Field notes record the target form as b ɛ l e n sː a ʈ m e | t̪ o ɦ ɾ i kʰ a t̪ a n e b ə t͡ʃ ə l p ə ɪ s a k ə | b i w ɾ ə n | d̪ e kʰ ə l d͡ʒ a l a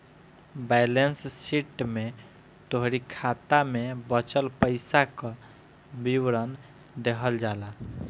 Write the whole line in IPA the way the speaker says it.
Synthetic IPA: b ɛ l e n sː i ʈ m e | t̪ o ɦ ɾ i kʰ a t̪ a m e b ə t͡ʃ ə l p ə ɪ s a k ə | b i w ɾ ə n | d̪ e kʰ ə l d͡ʒ a l a